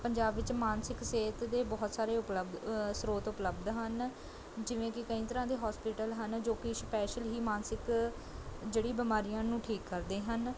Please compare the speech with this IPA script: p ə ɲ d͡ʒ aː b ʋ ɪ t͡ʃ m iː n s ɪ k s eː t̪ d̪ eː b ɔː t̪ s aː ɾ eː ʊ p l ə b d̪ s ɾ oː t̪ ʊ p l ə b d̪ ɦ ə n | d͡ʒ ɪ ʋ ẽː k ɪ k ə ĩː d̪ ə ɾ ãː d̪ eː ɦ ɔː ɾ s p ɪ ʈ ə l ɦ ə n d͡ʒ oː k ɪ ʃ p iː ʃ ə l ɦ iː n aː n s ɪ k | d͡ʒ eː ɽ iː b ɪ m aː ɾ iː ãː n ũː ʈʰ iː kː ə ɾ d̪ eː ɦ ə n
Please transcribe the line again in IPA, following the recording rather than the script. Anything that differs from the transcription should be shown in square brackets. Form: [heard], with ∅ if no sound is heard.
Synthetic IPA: p ə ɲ d͡ʒ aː b ʋ ɪ t͡ʃ m [aː] n s ɪ k s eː t̪ d̪ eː b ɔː t̪ s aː ɾ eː ʊ p l ə b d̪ s ɾ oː t̪ ʊ p l ə b d̪ ɦ ə n | d͡ʒ ɪ ʋ ẽː k ɪ k ə ĩː [t̪] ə ɾ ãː d̪ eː ɦ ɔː [∅] s p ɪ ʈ ə l ɦ ə n d͡ʒ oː k ɪ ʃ p [ɛː] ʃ ə l ɦ iː [m] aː n s ɪ k | d͡ʒ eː ɽ iː b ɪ m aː ɾ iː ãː n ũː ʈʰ iː kː ə ɾ d̪ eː ɦ ə n